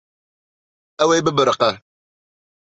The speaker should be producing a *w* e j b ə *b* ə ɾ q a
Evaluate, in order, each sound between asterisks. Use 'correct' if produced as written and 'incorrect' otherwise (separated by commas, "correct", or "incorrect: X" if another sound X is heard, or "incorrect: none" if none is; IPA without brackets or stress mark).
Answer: correct, correct